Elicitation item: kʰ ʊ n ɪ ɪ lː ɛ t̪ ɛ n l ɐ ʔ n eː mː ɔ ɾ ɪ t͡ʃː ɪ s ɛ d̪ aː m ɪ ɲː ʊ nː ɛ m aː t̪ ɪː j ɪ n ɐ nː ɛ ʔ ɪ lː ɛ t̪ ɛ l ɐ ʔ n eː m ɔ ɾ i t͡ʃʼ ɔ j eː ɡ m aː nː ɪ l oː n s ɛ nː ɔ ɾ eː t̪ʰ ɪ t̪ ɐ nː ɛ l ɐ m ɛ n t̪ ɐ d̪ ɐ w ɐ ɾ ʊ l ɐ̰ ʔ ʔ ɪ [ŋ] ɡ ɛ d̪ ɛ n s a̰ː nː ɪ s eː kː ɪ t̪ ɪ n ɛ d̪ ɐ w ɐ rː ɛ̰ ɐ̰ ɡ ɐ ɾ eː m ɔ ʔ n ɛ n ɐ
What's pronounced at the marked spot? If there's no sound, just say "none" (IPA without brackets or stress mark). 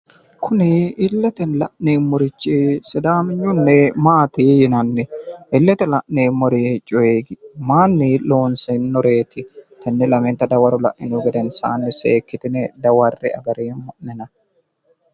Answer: n